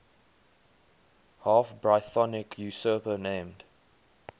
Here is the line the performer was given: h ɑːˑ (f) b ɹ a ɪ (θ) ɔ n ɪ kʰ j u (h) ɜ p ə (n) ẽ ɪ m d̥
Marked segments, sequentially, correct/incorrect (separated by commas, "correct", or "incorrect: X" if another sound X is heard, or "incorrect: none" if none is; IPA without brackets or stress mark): correct, correct, incorrect: s, correct